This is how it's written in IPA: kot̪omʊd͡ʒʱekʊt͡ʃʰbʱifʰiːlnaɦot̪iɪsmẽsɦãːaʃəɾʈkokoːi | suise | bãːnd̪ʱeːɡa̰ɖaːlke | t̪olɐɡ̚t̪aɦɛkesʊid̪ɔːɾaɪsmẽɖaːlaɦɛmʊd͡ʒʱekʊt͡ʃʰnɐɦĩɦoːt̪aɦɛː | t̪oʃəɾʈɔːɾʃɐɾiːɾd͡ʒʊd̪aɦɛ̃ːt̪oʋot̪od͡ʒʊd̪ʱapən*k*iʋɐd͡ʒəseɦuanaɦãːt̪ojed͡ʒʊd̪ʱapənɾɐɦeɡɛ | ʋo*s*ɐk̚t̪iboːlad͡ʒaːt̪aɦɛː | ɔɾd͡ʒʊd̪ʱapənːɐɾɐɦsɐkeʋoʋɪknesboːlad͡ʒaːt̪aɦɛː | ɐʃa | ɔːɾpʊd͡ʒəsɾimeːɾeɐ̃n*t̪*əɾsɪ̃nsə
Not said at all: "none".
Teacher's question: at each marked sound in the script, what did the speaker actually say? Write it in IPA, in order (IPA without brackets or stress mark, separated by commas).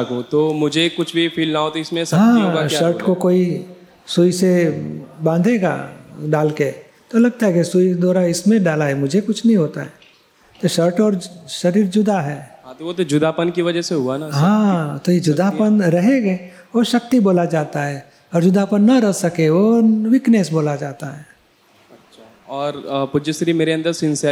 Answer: k, ʃ, d̪